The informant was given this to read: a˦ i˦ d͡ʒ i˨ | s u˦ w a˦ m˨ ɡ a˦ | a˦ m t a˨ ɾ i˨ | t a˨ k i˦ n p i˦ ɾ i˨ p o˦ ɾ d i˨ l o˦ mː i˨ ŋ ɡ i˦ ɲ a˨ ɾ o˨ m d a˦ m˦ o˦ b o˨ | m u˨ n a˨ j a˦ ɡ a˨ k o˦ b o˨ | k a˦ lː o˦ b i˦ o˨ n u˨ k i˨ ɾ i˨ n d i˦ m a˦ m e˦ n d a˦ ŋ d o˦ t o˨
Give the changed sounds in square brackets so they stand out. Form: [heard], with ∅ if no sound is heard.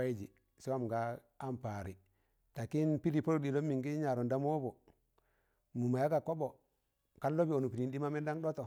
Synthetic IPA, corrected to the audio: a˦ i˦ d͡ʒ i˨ | s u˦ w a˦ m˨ ɡ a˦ | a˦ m [p] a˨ ɾ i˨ | t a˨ k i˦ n p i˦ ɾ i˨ p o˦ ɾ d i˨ l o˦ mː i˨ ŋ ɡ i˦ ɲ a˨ ɾ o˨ [n] d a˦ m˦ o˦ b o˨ | m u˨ [m] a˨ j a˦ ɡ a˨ k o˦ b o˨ | k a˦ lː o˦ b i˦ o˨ n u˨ [p] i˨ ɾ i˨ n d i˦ m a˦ m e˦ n d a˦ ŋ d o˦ t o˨